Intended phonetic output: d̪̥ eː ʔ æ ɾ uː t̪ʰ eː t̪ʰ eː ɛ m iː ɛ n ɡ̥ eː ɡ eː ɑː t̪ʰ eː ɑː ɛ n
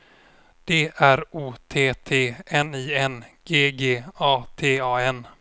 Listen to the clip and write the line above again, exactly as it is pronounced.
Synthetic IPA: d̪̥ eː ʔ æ ɾ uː t̪ʰ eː t̪ʰ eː ɛ n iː ɛ n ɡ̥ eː ɡ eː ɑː t̪ʰ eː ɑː ɛ n